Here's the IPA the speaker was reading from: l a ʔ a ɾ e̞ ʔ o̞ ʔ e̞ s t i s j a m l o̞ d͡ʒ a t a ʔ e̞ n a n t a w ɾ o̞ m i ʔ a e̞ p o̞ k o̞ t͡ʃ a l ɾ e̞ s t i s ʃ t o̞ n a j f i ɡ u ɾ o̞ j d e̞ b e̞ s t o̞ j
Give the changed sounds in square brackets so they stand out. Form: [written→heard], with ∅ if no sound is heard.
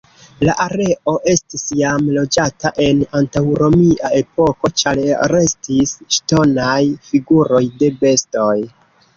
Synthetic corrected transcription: l a ʔ a ɾ e̞ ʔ o̞ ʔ e̞ s t i s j a m l o̞ d͡ʒ a t a ʔ e̞ n a n t a w ɾ o̞ m i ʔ a e̞ p o̞ k o̞ t͡ʃ a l ɾ e̞ s t i s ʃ t o̞ n a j f i ɡ u ɾ o̞ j d e̞ b e̞ s t o̞ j